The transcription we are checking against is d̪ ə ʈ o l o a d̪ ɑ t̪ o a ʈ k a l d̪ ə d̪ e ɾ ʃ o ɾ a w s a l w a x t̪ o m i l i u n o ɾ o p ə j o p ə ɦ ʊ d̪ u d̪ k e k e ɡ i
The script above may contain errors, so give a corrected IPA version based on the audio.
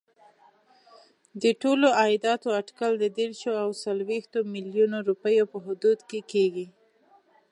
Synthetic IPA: d̪ ə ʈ o l o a d̪ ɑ t̪ o a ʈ k a l d̪ ə d̪ e ɾ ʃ o a w s a l w e x t̪ o m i l j u n o ɾ u p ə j o p ə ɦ ʊ d̪ u d̪ k e k e ɡ i